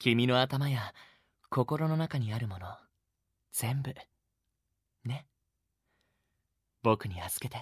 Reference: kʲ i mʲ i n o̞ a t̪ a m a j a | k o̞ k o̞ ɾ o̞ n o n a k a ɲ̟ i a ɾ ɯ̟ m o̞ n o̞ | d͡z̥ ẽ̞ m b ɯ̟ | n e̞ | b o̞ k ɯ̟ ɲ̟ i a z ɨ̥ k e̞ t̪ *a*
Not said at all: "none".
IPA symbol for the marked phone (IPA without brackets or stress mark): e